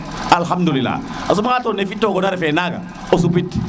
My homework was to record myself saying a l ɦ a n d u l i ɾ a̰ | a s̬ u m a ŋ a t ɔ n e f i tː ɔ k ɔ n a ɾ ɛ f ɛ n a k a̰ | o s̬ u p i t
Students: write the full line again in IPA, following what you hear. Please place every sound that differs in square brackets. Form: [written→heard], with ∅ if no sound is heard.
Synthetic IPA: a l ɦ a [n→m] d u l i [ɾ→l] a̰ | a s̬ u m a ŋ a t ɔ n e f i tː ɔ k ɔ n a ɾ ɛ f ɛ n a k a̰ | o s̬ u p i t